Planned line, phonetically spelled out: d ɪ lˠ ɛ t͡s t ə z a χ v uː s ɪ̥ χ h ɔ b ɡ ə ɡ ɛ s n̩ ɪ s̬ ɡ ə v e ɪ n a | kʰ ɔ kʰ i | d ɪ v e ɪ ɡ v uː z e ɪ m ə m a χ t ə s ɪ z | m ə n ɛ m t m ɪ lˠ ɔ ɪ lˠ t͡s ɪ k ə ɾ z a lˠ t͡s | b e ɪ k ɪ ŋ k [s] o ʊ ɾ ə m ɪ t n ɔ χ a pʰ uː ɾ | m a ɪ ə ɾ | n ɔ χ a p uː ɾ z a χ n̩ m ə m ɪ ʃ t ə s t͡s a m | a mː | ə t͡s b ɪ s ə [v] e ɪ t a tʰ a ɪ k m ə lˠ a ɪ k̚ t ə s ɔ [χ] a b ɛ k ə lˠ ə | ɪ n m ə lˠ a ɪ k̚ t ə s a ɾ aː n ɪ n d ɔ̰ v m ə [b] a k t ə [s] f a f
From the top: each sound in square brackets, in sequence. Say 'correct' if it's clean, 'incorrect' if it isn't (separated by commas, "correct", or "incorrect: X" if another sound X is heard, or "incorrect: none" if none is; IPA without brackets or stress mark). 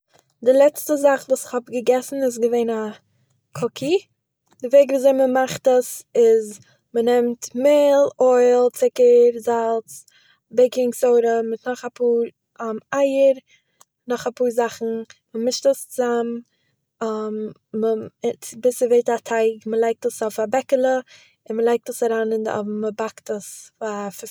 correct, correct, incorrect: f, correct, correct